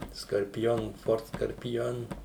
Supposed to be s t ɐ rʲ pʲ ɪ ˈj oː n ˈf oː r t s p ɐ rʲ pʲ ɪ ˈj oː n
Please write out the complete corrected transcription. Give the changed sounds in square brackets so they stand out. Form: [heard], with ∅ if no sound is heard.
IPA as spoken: s [k] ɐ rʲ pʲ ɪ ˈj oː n ˈf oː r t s [k] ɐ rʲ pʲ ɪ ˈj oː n